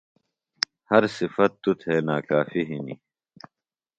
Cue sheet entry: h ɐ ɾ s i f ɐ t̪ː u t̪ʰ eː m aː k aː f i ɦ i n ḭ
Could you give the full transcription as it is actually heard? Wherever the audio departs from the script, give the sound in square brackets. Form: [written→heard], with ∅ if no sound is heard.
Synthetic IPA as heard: h ɐ ɾ s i f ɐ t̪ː u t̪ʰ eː [m→n] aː k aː f i ɦ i n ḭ